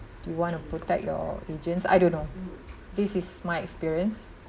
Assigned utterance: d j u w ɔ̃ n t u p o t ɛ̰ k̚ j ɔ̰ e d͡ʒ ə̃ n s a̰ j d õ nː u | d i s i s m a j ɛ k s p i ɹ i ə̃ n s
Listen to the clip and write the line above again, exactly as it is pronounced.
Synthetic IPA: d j u w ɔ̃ n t u p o t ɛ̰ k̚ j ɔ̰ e d͡ʒ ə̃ n s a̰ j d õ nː o | d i s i s m a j ɛ k s p i ɹ i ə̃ n s